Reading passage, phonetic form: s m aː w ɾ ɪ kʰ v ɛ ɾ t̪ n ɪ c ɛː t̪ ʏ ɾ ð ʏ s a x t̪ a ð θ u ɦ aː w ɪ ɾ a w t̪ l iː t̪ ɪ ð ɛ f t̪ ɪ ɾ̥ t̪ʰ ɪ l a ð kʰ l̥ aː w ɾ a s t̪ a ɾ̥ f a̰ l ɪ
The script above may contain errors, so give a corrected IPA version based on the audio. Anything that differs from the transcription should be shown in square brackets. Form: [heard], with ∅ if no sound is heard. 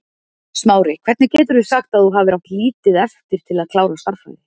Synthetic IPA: s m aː w ɾ ɪ kʰ v ɛ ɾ t̪ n ɪ c ɛː t̪ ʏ ɾ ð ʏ s a x t̪ a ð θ u ɦ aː [v] ɪ ɾ a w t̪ l iː t̪ ɪ ð ɛ f t̪ ɪ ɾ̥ t̪ʰ ɪ l a ð kʰ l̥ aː w ɾ a s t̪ a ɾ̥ f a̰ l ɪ